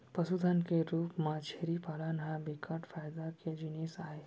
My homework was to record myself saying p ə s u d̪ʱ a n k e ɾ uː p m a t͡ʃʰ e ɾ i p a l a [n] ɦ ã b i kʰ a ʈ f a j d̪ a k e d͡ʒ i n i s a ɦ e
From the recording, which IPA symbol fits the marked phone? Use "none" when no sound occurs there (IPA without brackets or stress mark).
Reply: n